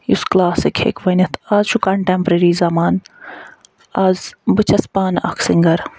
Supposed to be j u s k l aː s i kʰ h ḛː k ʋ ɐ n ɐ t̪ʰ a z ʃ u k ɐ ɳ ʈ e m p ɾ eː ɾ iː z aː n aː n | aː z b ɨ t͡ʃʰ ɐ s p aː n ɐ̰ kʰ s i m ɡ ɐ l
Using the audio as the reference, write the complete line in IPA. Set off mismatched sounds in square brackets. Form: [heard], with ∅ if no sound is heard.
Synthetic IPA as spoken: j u s k l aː s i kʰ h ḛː k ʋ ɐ n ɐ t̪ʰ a z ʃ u k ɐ ɳ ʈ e m p ɾ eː ɾ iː z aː [m] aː n | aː z b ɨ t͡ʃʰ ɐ s p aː n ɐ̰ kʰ s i [ŋ] ɡ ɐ [ɾ]